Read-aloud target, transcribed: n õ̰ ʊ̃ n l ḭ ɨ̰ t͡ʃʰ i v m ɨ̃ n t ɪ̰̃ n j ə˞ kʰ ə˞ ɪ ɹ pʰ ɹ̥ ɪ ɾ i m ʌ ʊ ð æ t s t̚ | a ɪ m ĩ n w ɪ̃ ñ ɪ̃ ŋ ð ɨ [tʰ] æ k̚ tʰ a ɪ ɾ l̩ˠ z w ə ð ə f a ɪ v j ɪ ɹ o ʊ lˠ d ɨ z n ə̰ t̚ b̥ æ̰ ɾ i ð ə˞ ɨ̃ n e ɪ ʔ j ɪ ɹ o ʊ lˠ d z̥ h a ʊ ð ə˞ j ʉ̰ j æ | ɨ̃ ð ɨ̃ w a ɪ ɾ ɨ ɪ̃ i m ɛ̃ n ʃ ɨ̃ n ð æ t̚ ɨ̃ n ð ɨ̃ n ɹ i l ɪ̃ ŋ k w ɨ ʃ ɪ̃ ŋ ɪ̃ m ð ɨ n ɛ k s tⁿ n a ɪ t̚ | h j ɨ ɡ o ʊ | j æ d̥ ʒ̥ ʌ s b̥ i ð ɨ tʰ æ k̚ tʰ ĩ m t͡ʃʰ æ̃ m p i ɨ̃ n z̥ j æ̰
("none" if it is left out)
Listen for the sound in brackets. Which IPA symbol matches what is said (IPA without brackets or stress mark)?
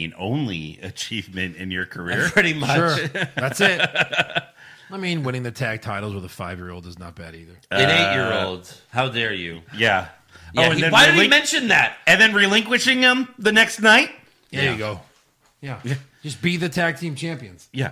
tʰ